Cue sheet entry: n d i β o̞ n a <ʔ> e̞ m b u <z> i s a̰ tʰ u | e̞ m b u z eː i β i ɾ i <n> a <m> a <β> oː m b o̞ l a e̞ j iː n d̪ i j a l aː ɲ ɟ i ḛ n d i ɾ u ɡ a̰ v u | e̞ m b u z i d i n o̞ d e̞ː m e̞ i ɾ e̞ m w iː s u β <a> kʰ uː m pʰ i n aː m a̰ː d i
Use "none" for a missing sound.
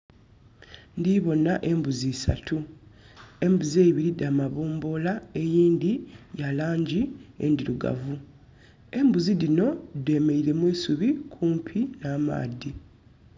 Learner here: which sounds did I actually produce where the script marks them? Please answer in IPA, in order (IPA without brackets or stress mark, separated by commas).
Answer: ʔ, z, d, m, β, i